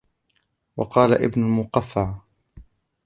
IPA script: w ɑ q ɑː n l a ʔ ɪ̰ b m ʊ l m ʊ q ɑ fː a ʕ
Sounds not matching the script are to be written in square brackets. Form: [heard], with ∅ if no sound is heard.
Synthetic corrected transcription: w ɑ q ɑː [∅] l a ʔ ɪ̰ b [n] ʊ l m ʊ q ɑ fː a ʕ